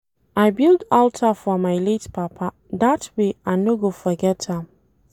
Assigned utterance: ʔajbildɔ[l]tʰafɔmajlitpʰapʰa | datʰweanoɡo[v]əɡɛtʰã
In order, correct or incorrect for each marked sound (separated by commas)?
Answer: correct, incorrect